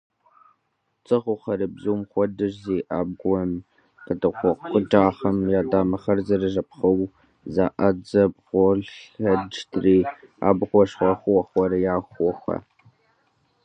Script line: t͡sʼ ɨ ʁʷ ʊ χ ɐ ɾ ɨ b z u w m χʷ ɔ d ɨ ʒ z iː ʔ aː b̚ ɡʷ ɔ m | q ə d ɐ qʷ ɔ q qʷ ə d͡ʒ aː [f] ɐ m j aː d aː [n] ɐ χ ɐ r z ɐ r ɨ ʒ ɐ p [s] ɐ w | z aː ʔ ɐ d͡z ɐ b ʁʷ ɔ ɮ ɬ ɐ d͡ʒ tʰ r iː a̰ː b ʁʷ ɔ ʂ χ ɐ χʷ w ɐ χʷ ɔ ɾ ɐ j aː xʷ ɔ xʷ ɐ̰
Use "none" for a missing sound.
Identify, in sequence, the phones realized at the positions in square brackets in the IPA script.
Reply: χ, m, χ

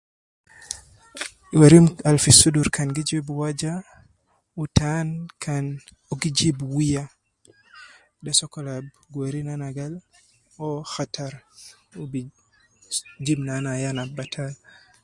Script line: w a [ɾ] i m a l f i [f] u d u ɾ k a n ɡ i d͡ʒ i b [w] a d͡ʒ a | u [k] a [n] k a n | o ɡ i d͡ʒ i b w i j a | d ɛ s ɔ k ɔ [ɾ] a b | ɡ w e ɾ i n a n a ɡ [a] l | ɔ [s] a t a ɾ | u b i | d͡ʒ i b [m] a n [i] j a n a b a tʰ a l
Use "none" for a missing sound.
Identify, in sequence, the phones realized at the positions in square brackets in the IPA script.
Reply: ɾ, s, w, t, n, l, a, x, n, a

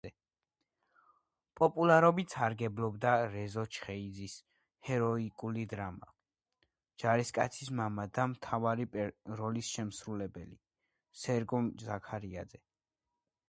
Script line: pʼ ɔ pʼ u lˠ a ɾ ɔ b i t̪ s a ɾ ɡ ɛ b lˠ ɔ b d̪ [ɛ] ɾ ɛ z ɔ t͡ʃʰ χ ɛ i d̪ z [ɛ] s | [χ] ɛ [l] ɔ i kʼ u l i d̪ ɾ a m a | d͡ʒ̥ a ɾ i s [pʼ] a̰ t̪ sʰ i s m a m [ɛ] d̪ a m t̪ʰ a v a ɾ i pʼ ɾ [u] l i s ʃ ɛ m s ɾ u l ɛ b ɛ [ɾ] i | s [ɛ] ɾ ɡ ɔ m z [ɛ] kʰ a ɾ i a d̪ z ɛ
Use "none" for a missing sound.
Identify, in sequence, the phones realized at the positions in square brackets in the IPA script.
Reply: a, i, h, ɾ, kʼ, a, ɔ, l, ɛ, a

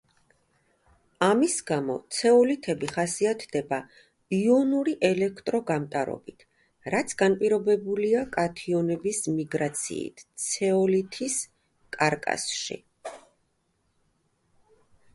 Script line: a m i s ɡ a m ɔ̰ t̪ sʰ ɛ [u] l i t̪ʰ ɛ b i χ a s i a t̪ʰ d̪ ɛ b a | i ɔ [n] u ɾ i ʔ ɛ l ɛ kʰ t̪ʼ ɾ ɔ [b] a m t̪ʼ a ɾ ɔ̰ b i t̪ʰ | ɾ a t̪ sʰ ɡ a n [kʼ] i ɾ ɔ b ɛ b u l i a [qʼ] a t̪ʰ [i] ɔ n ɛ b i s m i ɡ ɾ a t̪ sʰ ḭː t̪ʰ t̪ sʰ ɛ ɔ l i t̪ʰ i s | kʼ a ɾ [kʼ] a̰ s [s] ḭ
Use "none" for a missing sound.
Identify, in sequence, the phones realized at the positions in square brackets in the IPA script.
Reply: ɔ, n, ɡ, pʼ, kʼ, i, kʼ, ʃ

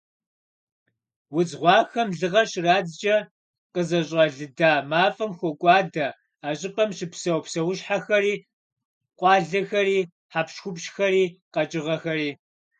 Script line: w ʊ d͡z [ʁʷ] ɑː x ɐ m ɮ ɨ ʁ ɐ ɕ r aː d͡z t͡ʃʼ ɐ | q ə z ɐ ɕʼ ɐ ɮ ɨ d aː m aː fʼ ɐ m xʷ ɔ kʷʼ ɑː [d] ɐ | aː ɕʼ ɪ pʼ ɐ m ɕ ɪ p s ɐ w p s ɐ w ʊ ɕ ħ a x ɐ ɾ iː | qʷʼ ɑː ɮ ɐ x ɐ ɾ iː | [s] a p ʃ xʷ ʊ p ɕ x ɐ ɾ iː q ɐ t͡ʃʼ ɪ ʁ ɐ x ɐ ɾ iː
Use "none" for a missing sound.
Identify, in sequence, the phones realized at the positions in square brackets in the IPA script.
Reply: ʁʷ, d, ħ

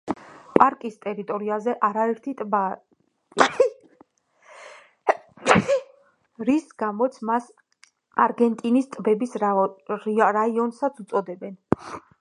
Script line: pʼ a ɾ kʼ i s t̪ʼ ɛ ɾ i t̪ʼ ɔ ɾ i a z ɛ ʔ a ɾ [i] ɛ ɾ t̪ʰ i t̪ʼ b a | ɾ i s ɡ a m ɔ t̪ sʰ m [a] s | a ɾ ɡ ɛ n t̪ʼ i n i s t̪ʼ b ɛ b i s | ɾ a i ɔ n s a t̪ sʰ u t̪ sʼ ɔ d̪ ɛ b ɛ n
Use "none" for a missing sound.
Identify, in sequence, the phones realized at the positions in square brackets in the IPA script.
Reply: a, a

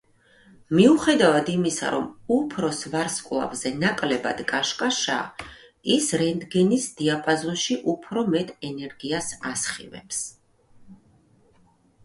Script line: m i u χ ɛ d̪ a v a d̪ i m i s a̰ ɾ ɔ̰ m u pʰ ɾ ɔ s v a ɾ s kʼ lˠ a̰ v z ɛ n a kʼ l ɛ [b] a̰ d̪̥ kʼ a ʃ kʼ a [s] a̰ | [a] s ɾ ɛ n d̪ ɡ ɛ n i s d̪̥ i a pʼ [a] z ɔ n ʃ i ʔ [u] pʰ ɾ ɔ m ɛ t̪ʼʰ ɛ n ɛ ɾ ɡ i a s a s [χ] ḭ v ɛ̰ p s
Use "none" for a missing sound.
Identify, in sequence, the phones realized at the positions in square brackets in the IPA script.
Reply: b, ʃ, i, a, u, χ

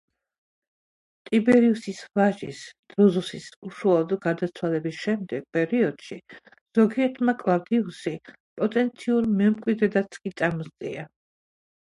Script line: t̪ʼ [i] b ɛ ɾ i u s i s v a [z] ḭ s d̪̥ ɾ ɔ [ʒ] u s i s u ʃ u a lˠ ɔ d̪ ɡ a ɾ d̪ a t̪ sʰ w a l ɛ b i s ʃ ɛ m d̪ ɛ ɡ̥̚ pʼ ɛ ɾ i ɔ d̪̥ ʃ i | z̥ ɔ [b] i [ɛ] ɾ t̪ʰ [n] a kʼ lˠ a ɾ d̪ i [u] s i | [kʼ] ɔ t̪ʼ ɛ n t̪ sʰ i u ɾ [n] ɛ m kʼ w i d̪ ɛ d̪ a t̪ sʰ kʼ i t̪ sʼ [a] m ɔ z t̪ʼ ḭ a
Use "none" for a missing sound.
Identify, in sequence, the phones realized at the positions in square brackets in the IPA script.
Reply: i, ʒ, z, ɡ, ɛ, m, u, pʼ, m, a

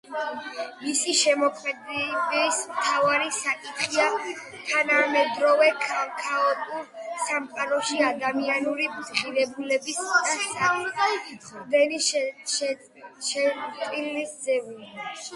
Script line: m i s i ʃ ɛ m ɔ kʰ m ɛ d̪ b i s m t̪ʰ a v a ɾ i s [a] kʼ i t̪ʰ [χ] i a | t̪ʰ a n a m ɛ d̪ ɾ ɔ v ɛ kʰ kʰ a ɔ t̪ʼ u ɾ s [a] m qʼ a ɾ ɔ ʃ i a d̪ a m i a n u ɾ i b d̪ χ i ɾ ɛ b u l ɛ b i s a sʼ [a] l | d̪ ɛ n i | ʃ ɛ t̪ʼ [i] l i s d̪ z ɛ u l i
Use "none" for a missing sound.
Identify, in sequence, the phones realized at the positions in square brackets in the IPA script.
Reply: a, χ, a, a, i

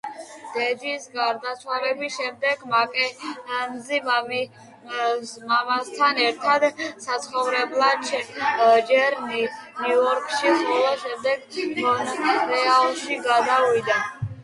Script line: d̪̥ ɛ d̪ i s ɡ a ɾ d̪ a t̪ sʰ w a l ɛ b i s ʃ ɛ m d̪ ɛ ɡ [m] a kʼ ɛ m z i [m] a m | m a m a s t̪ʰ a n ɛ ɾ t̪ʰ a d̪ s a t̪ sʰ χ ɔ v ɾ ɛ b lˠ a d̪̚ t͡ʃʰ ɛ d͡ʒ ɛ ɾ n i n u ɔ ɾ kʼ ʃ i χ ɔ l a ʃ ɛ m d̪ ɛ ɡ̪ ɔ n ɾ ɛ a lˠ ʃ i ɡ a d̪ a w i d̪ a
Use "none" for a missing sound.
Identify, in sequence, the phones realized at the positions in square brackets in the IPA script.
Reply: m, m

